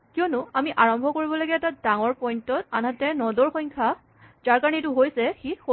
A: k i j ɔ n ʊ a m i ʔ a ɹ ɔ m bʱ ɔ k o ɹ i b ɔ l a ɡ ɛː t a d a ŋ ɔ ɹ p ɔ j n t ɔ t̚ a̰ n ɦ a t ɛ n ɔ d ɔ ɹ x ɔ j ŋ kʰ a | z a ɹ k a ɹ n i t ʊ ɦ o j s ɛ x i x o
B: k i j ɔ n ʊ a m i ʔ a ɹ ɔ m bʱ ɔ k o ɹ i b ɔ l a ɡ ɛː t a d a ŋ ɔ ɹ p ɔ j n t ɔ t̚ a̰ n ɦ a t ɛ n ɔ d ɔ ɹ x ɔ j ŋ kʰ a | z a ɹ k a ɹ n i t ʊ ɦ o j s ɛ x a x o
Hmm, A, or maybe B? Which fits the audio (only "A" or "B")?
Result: A